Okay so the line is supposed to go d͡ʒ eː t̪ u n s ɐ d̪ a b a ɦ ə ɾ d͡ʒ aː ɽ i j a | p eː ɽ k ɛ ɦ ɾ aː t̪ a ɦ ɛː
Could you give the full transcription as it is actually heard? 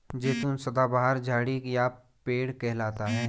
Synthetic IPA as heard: d͡ʒ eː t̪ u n s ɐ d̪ a b a ɦ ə ɾ d͡ʒ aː ɽ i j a | p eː ɽ k ɛ ɦ l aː t̪ a ɦ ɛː